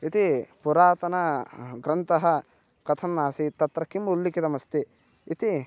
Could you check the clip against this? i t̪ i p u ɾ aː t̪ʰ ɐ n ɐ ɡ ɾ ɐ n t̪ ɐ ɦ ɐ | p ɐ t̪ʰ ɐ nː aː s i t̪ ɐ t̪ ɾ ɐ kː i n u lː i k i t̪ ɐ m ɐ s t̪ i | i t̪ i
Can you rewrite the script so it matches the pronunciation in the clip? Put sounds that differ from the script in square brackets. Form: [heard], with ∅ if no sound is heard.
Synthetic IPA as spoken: i t̪ i p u ɾ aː [t̪] ɐ n ɐ ɡ ɾ ɐ n t̪ ɐ ɦ ɐ | [k] ɐ t̪ʰ ɐ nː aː s i t̪ ɐ t̪ ɾ ɐ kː i [m] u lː i k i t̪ ɐ m ɐ s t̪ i | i t̪ i